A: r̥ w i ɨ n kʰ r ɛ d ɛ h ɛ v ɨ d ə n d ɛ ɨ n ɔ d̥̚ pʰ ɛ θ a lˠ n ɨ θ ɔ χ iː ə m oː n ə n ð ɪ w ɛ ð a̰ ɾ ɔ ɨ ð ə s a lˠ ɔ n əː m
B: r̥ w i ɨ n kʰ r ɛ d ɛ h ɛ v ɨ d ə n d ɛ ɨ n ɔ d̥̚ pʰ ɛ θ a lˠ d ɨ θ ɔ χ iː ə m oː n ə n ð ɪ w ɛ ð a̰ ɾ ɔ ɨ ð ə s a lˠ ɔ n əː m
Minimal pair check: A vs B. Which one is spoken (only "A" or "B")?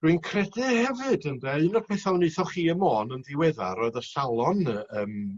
A